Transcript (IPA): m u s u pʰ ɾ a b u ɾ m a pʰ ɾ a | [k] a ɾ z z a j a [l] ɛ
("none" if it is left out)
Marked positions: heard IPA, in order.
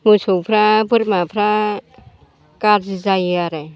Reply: k, ɾ

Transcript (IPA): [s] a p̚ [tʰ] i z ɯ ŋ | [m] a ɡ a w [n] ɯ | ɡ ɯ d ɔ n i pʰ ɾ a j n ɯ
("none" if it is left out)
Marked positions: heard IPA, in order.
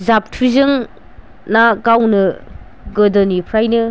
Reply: z, tʰ, n, n

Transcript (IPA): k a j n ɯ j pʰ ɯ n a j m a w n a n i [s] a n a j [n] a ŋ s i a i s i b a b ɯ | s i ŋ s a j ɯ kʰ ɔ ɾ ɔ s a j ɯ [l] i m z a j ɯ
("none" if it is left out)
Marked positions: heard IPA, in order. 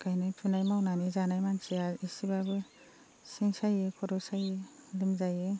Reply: z, m, l

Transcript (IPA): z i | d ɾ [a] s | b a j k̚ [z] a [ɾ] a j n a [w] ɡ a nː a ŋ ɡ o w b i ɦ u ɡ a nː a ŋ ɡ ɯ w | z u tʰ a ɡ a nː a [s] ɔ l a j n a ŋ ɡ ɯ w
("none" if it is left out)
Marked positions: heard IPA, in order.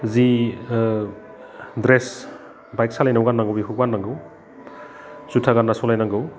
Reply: e, s, l, w, s

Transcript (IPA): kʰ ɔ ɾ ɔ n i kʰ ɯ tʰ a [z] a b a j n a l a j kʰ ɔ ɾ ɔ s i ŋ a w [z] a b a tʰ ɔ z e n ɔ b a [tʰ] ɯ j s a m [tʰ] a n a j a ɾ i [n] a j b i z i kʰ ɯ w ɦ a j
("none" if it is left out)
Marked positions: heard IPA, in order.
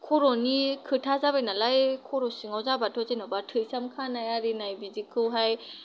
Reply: z, z, tʰ, kʰ, n

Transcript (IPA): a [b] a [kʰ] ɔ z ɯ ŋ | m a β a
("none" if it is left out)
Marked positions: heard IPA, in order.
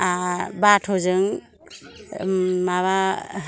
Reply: b, tʰ

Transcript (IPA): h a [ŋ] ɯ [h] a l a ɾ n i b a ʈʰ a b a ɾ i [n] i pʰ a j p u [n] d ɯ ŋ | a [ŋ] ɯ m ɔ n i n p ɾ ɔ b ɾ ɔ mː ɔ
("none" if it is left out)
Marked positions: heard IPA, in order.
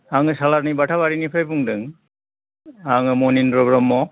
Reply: ŋ, s, n, ŋ, ŋ

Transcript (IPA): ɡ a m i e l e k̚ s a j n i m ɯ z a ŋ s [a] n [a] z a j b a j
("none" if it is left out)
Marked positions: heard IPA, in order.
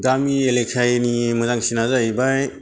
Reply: i, a

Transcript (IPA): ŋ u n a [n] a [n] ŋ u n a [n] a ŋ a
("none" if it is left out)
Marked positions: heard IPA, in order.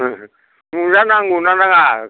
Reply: n, none, n

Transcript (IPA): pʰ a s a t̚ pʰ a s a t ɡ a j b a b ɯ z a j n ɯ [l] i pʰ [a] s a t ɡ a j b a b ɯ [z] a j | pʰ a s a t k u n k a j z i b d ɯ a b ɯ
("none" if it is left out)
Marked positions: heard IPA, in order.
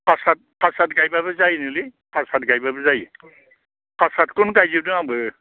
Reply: l, a, z

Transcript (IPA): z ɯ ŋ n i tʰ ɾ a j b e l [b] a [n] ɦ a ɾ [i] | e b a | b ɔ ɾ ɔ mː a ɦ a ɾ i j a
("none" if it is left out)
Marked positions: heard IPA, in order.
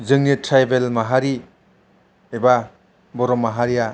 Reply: m, none, i

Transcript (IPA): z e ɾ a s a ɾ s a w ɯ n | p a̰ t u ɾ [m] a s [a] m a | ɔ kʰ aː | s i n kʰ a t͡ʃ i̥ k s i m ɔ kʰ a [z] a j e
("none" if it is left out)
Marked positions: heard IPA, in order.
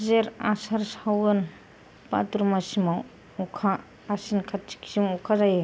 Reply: m, i, z

